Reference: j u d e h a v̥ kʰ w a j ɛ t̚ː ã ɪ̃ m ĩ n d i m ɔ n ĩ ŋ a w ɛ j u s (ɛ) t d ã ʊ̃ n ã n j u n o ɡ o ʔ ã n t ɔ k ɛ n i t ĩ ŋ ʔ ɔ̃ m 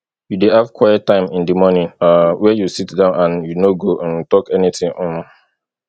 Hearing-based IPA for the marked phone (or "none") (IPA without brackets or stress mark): i